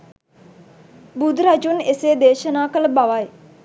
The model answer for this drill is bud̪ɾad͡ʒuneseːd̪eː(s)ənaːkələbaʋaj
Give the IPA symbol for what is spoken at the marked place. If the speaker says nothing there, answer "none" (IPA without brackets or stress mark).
ʃ